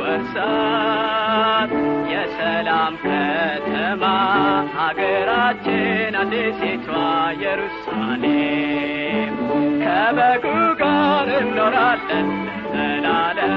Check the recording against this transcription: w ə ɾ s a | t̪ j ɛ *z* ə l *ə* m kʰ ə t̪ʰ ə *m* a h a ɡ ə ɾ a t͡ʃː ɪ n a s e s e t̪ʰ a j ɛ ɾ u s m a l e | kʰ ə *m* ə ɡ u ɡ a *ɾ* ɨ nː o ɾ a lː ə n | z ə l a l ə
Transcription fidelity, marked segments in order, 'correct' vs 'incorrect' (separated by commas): incorrect, incorrect, correct, incorrect, correct